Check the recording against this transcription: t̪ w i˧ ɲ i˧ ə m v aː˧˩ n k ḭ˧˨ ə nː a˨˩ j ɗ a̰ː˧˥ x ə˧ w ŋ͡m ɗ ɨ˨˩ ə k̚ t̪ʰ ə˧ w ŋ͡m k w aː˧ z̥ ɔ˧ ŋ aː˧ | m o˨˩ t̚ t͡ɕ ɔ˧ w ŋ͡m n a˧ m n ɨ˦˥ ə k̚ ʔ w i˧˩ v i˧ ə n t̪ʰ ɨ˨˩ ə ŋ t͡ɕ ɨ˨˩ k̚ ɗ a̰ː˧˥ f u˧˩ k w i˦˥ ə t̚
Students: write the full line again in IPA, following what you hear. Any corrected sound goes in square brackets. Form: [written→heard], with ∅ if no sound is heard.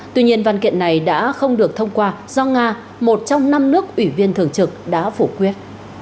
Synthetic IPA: t̪ w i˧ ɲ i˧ ə [m→n] v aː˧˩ n k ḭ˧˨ ə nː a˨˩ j ɗ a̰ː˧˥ x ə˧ w ŋ͡m ɗ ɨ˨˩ ə k̚ t̪ʰ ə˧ w ŋ͡m k w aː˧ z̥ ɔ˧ ŋ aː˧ | m o˨˩ t̚ t͡ɕ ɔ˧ w ŋ͡m n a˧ m n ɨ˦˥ ə k̚ ʔ w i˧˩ v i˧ ə n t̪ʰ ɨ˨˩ ə ŋ t͡ɕ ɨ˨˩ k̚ ɗ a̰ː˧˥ f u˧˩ k w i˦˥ ə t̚